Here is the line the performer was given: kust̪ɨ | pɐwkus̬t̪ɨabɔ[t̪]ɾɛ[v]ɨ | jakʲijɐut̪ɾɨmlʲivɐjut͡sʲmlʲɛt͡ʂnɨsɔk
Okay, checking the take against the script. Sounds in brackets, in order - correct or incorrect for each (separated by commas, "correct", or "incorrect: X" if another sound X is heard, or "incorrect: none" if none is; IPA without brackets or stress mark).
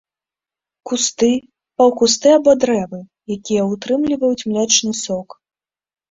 incorrect: d̪, correct